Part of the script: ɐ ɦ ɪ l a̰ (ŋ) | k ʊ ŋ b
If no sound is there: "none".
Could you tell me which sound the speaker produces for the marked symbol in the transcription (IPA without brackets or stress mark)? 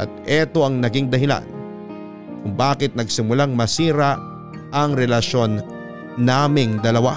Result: n